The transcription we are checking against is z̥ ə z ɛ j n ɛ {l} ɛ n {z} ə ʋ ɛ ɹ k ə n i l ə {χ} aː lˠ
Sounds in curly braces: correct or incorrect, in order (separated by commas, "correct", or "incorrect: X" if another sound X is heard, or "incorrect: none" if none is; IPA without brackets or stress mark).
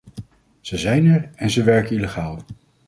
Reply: incorrect: ɹ, correct, correct